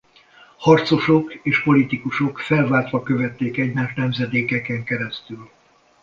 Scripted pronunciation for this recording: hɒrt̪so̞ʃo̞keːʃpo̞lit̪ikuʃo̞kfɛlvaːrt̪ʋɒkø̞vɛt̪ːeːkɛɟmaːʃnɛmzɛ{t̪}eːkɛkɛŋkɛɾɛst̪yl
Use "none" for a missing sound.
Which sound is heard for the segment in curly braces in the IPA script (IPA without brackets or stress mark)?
d̪